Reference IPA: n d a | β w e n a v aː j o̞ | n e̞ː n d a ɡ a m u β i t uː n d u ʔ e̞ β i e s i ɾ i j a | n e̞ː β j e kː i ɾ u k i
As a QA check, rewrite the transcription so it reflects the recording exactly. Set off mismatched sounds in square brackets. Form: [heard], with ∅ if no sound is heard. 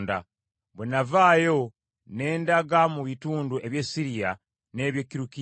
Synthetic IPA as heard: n d a | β w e n a v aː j o̞ | n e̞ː n d a ɡ a m u β i t uː n d u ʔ e̞ β [j] e s i ɾ i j a | n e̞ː β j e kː i ɾ u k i